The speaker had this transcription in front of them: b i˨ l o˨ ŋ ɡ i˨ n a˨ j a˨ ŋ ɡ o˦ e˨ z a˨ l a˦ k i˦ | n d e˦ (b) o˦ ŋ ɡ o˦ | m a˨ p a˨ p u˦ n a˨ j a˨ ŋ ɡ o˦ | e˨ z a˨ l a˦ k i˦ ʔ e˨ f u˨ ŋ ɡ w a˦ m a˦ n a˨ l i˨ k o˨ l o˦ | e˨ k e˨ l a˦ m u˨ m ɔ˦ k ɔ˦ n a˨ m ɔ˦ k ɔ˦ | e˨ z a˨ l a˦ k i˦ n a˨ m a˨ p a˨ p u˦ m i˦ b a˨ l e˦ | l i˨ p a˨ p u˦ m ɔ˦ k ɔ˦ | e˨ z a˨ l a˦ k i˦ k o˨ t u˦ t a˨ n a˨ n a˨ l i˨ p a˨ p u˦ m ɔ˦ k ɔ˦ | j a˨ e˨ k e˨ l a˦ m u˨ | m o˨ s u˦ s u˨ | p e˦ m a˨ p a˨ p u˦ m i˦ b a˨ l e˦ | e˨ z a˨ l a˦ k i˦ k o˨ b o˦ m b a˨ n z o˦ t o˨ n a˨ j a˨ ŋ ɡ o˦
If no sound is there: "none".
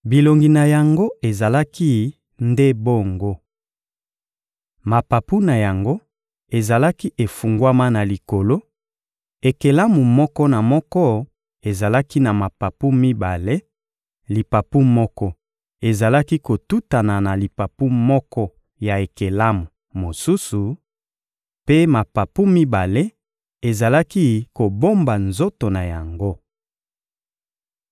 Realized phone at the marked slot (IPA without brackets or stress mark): b